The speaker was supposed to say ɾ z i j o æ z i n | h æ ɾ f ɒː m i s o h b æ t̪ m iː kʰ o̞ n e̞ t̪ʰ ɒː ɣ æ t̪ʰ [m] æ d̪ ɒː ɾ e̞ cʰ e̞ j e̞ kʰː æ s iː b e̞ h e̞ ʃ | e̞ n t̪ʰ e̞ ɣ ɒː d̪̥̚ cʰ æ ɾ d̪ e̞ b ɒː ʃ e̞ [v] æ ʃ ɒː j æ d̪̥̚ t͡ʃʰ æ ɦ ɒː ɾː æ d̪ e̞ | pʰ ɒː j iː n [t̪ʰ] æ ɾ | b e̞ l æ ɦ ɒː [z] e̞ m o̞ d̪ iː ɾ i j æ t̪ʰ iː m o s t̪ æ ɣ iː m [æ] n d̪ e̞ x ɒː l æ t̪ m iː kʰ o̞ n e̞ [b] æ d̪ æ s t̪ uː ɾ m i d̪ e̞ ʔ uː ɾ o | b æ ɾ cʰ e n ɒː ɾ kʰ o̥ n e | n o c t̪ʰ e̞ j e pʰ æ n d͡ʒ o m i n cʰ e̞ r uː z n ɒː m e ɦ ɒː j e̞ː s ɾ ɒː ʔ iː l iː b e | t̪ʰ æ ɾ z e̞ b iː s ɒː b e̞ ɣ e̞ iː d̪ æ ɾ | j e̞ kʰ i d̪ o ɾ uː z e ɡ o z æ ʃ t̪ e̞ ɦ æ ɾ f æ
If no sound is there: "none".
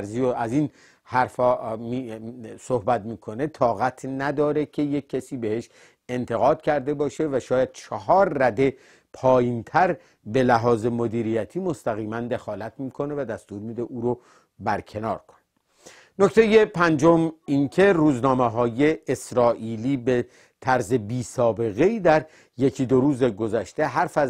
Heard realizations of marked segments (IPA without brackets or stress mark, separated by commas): n, v, t̪ʰ, z, æ, v